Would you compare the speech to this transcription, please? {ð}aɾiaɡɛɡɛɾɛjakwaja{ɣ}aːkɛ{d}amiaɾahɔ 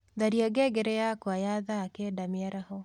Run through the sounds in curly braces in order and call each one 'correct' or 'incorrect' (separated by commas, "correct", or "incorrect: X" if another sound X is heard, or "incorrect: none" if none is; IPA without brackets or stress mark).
correct, incorrect: ð, correct